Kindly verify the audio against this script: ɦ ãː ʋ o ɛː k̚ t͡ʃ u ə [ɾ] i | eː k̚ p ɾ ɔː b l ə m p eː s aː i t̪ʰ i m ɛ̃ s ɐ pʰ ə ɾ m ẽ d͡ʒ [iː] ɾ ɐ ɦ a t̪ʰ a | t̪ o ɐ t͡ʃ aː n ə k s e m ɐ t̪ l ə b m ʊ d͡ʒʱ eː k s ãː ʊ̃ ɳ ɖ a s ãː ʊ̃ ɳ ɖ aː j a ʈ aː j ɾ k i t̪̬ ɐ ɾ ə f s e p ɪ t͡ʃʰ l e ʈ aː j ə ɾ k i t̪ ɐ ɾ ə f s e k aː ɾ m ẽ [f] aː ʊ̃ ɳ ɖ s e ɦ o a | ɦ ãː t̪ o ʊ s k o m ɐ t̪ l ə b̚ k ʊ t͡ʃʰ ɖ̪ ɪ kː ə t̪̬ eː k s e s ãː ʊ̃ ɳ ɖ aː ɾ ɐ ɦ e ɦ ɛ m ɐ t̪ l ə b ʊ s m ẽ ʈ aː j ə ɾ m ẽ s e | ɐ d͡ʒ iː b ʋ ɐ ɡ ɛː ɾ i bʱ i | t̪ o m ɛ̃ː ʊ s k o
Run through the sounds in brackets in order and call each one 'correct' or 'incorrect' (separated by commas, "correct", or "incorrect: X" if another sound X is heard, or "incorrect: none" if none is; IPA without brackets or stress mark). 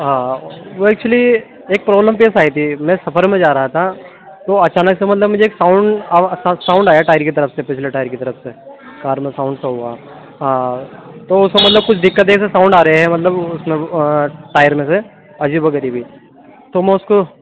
incorrect: l, incorrect: aː, incorrect: s